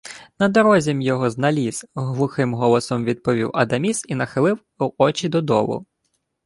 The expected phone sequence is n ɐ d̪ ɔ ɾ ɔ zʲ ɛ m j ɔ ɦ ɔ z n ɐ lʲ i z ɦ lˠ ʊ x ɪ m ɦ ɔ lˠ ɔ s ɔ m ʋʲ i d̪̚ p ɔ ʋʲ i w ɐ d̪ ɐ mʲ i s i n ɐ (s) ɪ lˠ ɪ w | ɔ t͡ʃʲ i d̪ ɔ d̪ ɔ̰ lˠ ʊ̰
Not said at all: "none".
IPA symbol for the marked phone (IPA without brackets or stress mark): x